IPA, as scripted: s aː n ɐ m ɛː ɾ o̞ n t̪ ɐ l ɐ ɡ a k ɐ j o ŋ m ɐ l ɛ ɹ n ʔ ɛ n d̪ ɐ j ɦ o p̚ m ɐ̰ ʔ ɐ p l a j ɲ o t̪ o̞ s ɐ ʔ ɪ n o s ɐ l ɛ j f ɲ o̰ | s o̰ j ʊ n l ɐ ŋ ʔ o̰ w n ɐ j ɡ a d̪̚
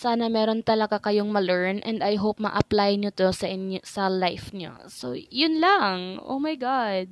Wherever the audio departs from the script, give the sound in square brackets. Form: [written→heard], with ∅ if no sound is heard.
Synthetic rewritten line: s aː n ɐ m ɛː ɾ o̞ n t̪ ɐ l ɐ ɡ a k ɐ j o ŋ m ɐ l ɛ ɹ n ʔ ɛ n d̪ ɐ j ɦ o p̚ m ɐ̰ ʔ ɐ p l a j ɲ o t̪ o̞ s ɐ ʔ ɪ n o s ɐ l [ɛ→a] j f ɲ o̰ | s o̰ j ʊ n l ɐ ŋ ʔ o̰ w [n→m] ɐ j ɡ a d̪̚